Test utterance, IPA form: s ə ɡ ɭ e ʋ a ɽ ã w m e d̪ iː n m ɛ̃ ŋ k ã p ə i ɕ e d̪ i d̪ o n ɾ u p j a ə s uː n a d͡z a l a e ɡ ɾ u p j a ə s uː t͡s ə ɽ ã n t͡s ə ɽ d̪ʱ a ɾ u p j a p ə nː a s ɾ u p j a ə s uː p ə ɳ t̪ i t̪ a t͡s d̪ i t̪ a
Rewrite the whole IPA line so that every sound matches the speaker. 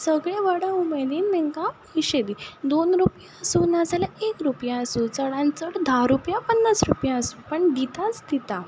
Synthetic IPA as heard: s ə ɡ ɭ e ʋ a ɽ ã u m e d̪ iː n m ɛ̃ ŋ k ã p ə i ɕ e d̪ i d̪ o n ɾ u p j a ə s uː n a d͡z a l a e k ɾ u p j a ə s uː t͡s ə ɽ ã n t͡s ə ɽ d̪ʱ a ɾ u p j a p ə nː a s ɾ u p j a ə s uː p ə ɳ d̪ i t̪ a t͡s d̪ i t̪ a